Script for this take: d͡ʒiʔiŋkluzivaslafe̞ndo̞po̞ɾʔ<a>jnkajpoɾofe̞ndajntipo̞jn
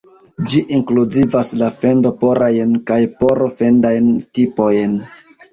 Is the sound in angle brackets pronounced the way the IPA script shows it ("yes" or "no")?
yes